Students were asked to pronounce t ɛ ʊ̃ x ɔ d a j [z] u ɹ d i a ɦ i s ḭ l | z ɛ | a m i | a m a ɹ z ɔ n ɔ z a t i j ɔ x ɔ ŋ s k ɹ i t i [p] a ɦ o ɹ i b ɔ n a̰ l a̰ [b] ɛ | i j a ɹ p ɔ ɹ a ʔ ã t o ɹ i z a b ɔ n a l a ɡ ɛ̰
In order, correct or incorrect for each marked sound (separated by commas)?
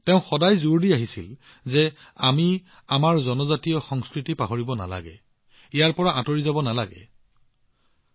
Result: correct, correct, incorrect